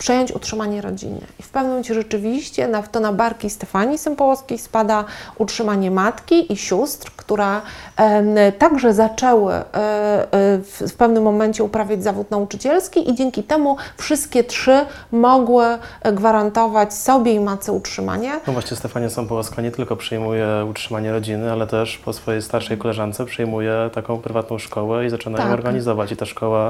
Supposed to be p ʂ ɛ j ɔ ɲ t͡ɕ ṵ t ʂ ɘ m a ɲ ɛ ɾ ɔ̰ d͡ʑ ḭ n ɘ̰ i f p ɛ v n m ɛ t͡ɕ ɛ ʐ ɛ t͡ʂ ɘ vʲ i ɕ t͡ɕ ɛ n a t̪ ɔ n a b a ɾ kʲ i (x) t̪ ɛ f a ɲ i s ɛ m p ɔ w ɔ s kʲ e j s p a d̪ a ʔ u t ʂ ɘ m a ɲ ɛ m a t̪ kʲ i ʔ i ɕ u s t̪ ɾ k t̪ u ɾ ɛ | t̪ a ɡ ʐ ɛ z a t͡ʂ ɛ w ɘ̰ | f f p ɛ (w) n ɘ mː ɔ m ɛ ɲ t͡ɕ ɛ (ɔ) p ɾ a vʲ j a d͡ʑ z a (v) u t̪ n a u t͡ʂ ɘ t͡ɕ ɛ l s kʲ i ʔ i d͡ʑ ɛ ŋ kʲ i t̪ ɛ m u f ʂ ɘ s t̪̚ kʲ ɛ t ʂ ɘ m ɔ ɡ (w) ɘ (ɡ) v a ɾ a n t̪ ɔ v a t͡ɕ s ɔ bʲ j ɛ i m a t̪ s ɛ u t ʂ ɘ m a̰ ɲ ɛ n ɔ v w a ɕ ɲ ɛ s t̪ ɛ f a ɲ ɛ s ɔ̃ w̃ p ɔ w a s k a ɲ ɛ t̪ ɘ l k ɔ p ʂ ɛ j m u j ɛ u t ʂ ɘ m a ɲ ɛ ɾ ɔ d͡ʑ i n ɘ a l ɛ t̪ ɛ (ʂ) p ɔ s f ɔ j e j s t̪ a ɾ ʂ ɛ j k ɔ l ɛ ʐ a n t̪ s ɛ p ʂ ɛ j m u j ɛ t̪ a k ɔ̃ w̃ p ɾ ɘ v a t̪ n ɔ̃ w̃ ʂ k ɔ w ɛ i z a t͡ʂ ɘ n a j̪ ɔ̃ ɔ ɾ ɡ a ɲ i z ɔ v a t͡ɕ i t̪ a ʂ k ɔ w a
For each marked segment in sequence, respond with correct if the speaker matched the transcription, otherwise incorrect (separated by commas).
incorrect, incorrect, incorrect, correct, correct, correct, correct